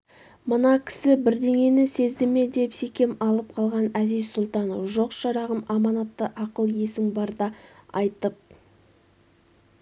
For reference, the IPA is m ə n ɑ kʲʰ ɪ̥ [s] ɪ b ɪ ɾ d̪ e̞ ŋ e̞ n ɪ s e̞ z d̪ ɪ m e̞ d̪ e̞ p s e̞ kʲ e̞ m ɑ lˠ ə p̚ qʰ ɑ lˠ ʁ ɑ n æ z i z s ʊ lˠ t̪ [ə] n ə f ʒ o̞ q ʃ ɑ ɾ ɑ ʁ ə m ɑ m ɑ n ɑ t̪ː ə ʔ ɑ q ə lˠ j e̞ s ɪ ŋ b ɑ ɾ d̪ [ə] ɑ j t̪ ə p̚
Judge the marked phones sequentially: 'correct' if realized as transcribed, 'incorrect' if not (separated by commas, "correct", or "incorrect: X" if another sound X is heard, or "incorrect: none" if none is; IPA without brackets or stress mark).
correct, incorrect: ɑ, incorrect: ɑ